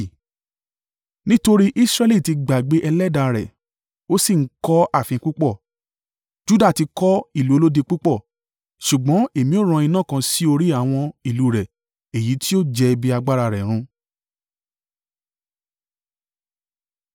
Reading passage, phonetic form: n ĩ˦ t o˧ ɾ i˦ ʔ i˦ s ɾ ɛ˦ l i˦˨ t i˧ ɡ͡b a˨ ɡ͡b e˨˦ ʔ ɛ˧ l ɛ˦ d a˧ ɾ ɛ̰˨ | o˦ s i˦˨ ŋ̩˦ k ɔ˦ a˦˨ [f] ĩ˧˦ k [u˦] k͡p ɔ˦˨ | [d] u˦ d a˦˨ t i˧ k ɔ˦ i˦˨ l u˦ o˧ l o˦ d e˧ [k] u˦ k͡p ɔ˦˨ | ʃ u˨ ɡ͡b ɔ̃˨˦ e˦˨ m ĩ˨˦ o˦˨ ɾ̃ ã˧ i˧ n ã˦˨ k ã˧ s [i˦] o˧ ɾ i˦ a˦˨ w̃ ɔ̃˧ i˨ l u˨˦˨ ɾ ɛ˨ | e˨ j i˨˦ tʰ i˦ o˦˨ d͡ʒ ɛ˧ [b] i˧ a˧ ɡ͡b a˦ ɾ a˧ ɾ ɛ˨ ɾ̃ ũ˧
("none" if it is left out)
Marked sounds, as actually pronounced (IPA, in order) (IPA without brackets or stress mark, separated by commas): f, u˦, d͡ʒ, k͡p, i˦, b